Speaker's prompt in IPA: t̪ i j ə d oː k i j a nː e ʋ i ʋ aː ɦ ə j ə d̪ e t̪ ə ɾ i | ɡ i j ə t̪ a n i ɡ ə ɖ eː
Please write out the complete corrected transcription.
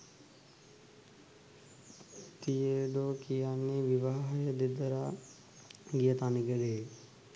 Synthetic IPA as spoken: t̪ i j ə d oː k i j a nː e ʋ i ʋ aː ɦ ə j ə d̪ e d̪ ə ɾ a | ɡ i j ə t̪ a n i ɡ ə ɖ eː